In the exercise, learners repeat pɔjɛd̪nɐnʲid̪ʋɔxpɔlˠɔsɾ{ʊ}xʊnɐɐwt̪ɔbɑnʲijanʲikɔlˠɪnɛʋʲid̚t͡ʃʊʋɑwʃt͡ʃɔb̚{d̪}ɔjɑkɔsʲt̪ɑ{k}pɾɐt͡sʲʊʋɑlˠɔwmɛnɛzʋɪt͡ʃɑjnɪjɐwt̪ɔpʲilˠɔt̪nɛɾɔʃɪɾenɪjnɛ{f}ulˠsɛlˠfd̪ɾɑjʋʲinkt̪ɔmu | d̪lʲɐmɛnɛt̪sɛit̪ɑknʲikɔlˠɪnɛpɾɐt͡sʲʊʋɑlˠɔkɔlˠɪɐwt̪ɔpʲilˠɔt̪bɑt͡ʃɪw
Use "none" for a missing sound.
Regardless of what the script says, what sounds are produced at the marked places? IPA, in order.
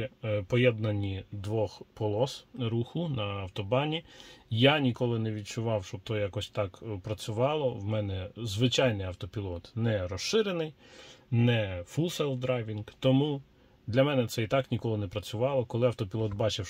u, t̪, k, f

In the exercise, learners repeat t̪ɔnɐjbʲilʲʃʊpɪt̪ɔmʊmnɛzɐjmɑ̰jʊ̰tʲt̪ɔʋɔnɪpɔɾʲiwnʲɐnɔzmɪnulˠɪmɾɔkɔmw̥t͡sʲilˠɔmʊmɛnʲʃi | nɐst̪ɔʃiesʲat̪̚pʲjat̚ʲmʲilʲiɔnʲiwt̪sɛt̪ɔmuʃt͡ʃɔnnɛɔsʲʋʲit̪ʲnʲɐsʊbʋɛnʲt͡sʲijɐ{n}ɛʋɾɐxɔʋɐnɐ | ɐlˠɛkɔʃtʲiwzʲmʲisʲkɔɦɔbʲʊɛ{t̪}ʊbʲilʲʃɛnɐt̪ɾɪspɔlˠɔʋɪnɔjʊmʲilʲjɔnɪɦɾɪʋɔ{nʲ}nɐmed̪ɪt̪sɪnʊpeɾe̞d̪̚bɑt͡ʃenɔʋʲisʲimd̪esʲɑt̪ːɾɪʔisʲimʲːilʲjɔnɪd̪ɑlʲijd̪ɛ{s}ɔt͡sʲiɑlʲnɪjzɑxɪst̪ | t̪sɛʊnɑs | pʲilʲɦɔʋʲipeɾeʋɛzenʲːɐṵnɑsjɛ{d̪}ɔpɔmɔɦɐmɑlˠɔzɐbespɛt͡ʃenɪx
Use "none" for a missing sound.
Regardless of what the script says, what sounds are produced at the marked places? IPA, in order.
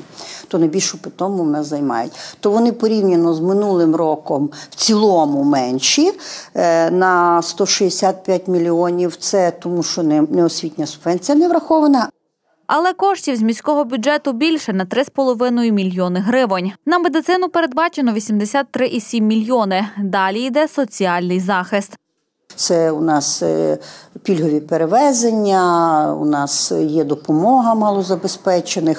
n, t̪, nʲ, s, d̪

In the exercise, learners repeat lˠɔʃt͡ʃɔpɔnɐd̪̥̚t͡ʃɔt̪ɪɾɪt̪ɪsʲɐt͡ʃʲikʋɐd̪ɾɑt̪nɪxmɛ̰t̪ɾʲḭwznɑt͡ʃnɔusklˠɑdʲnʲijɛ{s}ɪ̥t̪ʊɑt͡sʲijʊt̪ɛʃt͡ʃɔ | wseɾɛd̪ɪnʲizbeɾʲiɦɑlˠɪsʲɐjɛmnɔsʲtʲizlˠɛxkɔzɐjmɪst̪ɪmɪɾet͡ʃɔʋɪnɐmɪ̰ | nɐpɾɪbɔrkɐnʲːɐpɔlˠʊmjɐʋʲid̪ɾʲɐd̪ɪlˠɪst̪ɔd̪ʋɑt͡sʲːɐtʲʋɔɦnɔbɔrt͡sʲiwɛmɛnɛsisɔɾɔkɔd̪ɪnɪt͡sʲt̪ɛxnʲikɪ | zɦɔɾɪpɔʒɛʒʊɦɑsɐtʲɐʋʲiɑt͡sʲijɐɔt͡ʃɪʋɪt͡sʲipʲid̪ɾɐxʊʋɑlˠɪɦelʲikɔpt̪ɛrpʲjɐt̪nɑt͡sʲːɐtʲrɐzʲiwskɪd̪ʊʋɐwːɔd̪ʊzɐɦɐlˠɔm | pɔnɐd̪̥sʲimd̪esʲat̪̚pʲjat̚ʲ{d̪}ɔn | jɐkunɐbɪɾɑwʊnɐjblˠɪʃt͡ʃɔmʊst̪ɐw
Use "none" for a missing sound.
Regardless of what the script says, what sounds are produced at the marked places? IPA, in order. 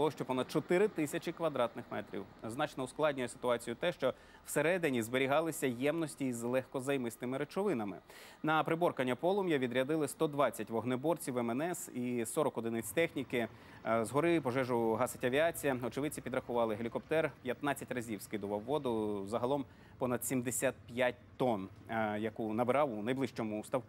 s, t̪

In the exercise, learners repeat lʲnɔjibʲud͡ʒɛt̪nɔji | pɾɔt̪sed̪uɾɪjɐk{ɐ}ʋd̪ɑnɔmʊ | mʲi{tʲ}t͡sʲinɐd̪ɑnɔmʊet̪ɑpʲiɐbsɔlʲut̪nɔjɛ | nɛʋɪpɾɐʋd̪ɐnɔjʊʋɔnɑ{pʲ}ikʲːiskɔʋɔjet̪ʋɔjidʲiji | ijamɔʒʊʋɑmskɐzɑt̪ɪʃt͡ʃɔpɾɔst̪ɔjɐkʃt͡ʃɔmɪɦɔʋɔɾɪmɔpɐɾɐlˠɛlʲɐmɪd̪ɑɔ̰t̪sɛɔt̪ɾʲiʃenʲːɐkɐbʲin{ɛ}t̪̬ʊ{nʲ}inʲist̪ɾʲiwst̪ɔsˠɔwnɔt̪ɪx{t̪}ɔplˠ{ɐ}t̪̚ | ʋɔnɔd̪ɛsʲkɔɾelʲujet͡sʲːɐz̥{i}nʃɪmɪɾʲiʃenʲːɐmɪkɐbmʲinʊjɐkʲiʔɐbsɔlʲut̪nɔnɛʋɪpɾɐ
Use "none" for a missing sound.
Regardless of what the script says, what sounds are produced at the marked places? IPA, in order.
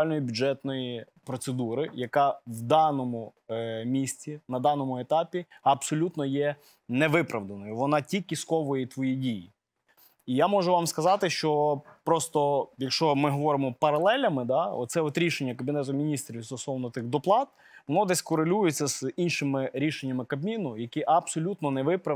ɑ, sʲ, tʲ, ɛ, mʲ, d̪, ɑ, i

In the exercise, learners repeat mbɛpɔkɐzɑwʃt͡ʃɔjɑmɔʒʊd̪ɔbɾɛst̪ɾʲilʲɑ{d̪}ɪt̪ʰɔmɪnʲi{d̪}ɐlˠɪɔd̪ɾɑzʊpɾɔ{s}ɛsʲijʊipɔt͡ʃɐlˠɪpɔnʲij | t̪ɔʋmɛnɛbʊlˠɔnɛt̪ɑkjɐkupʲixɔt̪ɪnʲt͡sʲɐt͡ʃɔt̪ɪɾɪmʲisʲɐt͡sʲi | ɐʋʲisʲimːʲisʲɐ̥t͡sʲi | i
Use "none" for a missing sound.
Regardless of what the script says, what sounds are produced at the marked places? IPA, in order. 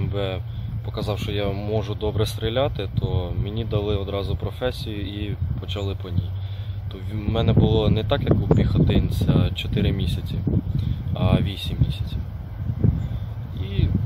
t̪, d̪, f

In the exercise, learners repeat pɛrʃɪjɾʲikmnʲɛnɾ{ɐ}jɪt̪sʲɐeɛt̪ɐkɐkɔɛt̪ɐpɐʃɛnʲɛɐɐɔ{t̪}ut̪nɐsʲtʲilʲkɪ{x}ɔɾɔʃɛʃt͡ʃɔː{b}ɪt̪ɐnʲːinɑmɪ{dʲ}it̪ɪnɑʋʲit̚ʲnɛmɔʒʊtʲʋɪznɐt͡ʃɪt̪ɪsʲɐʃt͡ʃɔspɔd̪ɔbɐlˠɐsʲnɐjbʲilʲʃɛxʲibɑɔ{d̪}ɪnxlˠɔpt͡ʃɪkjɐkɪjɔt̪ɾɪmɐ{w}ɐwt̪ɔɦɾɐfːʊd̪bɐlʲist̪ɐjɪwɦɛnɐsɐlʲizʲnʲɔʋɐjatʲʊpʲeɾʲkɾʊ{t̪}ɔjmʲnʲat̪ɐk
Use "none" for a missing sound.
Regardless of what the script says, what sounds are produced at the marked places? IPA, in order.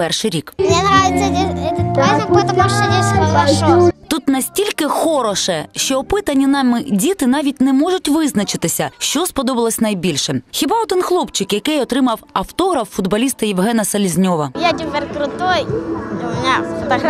a, t̪, x, p, dʲ, d̪, w, t̪

